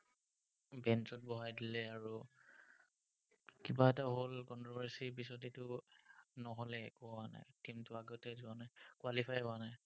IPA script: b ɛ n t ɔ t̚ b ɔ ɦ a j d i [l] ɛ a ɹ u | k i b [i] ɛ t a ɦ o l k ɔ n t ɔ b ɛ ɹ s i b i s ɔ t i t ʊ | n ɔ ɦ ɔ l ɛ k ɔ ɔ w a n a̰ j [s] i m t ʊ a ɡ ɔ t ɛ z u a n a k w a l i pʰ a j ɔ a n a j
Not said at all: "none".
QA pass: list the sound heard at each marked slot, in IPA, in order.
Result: l, a, t

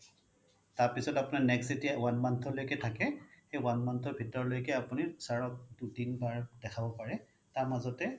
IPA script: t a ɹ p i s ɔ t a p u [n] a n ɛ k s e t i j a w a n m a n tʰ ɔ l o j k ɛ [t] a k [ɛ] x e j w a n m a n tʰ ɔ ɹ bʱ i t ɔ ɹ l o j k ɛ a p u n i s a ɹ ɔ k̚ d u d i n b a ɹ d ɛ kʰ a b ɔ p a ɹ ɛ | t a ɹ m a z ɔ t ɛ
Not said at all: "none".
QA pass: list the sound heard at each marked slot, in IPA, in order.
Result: n, tʰ, ɛ

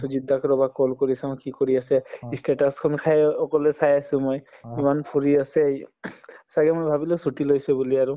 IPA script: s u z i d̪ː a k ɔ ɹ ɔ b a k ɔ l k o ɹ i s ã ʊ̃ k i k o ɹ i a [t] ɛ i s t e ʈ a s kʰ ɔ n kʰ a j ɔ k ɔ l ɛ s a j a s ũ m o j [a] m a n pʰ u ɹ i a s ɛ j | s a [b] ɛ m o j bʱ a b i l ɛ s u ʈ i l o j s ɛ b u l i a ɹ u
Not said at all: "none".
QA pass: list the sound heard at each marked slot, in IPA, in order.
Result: s, i, ɡ

